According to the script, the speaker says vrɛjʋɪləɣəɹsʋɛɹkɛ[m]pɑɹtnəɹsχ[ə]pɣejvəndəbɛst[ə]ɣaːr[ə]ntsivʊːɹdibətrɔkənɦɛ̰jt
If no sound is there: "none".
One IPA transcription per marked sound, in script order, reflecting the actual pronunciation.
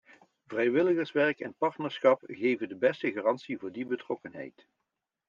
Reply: n, ɑ, ə, ɑ

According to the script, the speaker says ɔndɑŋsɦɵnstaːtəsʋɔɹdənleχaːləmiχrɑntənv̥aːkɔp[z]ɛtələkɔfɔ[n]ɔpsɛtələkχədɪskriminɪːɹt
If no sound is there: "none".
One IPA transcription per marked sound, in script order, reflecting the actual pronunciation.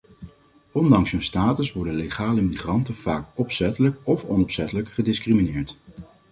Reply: s, n

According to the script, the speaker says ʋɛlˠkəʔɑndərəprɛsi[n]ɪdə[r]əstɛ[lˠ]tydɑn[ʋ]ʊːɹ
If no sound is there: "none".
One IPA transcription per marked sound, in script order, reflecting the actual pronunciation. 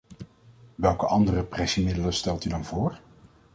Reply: m, l, lˠ, v

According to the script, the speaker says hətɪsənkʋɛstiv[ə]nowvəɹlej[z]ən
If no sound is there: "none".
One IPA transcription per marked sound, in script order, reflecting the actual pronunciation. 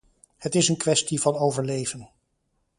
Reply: ɑ, v

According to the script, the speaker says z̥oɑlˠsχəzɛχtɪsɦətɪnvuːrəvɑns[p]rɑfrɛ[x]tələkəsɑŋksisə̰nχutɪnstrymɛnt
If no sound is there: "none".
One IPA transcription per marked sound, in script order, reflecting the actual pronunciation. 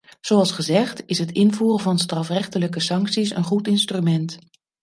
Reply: t, χ

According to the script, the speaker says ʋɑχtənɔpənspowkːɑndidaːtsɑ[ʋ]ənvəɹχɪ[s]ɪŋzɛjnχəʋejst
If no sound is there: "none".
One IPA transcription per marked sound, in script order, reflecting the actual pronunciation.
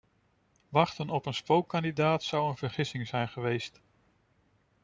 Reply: w, s

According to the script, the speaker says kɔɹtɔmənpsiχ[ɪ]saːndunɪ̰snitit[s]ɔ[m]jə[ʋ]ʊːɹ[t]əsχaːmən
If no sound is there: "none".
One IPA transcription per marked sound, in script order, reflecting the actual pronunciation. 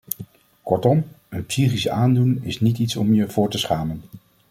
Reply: i, s, m, v, t

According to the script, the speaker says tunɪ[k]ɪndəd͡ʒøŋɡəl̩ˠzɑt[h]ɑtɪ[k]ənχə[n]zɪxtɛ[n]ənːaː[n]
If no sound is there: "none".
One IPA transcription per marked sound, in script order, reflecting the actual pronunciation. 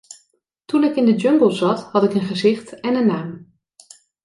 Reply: k, h, k, none, n, m

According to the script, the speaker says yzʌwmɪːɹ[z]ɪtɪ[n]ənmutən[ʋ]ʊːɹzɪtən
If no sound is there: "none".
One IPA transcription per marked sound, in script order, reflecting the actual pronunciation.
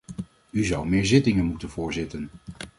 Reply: z, ŋ, v

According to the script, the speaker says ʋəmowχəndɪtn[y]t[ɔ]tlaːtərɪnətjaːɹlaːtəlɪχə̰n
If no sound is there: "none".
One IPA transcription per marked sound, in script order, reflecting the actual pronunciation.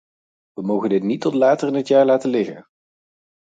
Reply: i, ɔ

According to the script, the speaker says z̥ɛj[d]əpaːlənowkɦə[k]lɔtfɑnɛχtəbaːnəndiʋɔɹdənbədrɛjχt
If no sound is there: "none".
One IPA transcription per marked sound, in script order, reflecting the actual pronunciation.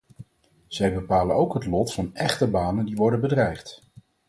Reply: b, t

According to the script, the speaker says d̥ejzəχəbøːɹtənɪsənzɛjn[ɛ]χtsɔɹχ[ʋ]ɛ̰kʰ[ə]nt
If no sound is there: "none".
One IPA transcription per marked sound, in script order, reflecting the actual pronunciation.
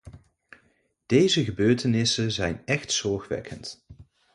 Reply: ɛ, ʋ, ə

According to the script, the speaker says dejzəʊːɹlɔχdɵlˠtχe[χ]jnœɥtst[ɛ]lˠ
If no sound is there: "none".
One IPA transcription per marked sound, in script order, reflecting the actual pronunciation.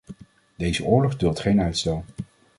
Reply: none, ɛ

